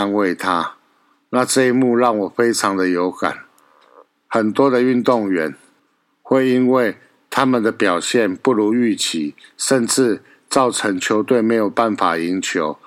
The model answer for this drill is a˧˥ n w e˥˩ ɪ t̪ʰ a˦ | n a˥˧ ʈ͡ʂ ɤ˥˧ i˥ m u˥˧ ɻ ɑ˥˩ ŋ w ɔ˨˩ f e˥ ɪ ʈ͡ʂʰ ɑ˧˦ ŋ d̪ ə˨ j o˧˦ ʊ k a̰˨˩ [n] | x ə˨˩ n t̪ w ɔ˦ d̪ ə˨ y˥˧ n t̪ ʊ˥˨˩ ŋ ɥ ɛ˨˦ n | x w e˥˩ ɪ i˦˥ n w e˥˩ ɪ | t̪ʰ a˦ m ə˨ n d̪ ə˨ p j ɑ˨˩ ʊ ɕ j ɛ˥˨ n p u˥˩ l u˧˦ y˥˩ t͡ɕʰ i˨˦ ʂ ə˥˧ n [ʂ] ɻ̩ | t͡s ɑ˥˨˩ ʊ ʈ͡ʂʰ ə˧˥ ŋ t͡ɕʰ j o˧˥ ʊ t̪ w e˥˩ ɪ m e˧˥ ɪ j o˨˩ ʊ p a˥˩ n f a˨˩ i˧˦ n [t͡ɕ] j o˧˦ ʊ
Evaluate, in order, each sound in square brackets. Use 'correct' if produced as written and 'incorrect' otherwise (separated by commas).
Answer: correct, incorrect, incorrect